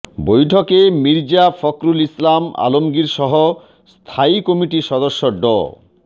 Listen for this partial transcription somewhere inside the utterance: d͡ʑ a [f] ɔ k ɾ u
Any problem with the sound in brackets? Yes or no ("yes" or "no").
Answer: no